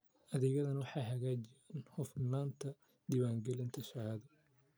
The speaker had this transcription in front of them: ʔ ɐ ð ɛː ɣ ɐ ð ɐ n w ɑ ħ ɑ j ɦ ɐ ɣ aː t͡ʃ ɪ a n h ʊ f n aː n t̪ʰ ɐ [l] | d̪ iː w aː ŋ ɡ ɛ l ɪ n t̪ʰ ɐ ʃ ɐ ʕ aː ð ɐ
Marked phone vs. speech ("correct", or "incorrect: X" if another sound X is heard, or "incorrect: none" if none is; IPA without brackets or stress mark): incorrect: none